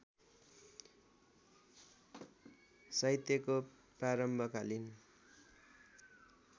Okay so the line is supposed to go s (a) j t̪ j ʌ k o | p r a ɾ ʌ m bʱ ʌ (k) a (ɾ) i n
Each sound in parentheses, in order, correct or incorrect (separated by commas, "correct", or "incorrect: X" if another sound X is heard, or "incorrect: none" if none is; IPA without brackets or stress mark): incorrect: ʌ, correct, incorrect: l